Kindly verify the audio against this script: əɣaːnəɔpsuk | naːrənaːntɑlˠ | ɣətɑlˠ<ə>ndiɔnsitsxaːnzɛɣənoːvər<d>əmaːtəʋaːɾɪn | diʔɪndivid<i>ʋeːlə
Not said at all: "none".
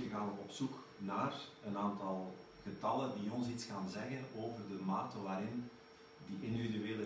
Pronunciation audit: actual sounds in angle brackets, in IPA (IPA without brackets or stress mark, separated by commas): ə, d, y